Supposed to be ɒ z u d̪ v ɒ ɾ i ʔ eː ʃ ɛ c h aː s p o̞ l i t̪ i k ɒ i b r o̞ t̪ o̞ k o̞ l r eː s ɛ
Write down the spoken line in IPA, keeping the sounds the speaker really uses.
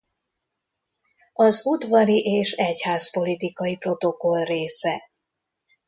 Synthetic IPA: ɒ z u d̪ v ɒ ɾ i ʔ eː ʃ ɛ c h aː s p o̞ l i t̪ i k ɒ i p r o̞ t̪ o̞ k o̞ l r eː s ɛ